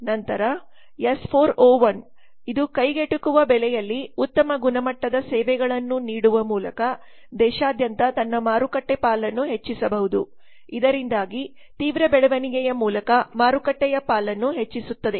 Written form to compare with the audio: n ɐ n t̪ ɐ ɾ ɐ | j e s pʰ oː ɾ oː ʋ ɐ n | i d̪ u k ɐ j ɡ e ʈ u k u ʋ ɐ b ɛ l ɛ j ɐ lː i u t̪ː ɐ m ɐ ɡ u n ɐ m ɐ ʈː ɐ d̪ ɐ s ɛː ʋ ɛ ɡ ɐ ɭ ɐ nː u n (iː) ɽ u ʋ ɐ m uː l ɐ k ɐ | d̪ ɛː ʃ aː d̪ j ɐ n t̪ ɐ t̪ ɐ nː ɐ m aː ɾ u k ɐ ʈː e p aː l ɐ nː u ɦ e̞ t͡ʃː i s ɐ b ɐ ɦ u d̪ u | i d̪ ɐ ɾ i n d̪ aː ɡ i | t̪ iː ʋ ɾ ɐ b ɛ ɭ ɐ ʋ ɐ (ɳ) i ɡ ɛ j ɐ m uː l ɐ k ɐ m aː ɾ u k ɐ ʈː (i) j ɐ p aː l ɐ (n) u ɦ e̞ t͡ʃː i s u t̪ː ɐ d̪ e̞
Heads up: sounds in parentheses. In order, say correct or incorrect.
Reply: correct, incorrect, incorrect, incorrect

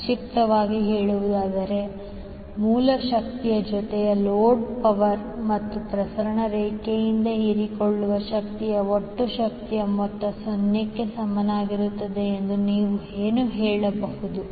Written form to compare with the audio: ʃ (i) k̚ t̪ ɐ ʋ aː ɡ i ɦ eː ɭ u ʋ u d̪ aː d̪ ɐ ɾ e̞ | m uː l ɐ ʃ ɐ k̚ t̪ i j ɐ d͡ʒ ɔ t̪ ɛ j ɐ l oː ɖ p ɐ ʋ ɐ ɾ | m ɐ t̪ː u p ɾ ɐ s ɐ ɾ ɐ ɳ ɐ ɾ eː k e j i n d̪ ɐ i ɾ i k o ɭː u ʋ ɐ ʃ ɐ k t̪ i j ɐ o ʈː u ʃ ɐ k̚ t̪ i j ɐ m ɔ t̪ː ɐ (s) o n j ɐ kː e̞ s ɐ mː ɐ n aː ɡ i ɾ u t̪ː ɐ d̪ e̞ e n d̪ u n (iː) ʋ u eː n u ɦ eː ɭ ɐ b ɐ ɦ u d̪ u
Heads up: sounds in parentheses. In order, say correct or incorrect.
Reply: correct, correct, correct

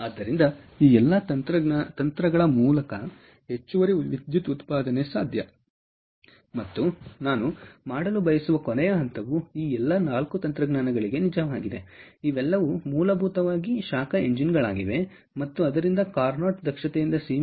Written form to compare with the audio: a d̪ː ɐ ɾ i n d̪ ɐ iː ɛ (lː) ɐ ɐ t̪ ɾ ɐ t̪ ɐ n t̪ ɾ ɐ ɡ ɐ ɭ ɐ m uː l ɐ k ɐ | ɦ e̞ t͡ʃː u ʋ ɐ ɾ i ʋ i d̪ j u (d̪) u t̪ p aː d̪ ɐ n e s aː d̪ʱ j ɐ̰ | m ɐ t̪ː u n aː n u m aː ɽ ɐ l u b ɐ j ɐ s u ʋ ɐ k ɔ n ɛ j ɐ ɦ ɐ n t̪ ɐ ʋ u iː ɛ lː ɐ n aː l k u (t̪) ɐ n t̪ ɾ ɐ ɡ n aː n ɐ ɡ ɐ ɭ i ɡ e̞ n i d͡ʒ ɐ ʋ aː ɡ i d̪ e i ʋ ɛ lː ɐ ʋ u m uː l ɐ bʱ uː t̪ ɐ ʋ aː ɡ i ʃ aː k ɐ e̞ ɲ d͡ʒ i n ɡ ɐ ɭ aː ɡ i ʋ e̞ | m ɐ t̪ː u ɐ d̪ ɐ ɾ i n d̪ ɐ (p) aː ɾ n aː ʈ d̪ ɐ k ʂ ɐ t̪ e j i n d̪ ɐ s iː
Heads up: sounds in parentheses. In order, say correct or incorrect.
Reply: correct, incorrect, correct, incorrect

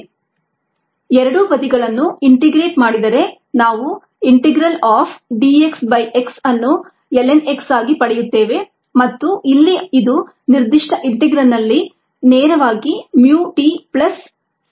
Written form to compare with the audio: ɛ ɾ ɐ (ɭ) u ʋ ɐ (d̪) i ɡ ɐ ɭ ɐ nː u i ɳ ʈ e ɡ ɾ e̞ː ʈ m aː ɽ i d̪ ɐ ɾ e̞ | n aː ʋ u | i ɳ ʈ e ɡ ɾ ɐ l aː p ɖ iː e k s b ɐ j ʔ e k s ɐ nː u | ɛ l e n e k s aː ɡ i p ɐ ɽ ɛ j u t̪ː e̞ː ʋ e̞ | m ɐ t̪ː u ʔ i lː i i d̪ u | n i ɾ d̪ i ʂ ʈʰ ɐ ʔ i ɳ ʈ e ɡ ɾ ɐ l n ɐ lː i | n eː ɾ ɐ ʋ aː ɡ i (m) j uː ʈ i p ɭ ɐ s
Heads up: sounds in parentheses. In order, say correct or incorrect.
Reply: incorrect, correct, correct

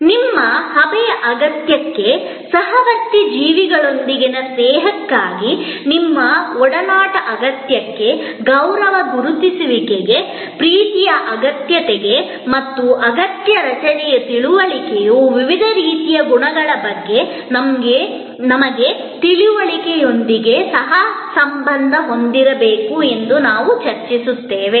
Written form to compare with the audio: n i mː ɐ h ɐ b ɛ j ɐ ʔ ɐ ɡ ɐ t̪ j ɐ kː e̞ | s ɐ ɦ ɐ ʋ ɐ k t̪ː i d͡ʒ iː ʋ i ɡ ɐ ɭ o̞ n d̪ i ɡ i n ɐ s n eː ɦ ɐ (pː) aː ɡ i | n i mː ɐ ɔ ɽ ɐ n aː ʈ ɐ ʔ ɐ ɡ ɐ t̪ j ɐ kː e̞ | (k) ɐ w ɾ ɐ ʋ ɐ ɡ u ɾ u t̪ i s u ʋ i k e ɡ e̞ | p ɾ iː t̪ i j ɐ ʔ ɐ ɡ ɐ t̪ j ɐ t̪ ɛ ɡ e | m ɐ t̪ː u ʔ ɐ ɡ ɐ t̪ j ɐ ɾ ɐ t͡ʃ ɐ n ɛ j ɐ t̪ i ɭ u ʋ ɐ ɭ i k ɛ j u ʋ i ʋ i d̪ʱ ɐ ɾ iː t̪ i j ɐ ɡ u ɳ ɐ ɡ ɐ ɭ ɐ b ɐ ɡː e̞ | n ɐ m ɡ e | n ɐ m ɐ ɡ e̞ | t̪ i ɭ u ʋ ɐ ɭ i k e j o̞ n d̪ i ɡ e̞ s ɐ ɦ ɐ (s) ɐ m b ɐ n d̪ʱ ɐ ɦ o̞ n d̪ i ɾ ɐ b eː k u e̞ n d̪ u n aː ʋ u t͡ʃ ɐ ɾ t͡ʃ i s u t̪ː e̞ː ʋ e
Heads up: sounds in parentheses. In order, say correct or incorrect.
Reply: incorrect, incorrect, correct

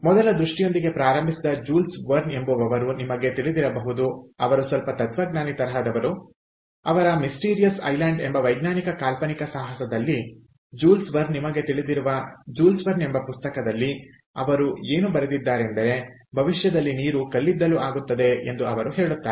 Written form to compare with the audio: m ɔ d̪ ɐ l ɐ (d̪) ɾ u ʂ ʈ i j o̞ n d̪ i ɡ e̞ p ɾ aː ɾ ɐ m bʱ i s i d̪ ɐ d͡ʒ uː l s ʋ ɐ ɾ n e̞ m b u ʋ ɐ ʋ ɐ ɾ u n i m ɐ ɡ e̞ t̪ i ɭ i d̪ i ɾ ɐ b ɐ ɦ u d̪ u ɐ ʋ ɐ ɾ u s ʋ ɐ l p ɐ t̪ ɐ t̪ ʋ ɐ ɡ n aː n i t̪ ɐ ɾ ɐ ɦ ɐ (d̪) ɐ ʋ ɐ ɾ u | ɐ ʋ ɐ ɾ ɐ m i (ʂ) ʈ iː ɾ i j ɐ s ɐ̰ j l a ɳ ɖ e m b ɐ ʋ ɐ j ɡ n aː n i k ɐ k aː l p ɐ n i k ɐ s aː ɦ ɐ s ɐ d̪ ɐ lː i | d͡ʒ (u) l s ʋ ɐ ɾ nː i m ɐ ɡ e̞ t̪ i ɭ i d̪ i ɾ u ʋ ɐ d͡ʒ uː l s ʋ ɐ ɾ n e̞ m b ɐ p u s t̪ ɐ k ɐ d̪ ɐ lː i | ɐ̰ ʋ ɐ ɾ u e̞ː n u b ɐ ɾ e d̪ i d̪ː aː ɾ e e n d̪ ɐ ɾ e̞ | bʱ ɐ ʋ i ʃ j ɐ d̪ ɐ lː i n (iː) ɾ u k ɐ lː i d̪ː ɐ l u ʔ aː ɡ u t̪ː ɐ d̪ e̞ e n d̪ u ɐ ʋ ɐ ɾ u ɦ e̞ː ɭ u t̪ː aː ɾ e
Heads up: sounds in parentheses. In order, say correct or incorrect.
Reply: correct, correct, incorrect, incorrect, correct

